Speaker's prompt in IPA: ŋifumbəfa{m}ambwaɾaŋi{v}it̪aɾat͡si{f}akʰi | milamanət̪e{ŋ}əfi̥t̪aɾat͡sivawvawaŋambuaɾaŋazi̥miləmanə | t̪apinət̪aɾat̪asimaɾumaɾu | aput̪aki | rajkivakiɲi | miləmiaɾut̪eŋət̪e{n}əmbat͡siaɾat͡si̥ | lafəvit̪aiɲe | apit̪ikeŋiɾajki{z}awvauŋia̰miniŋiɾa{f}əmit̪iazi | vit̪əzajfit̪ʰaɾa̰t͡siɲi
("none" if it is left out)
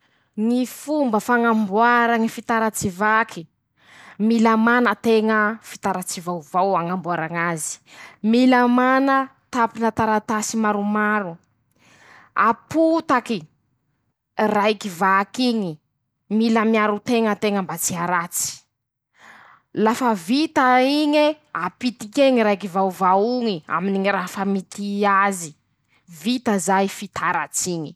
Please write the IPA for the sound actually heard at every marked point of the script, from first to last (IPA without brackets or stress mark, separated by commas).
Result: ŋ, f, v, ŋ, ŋ, v, f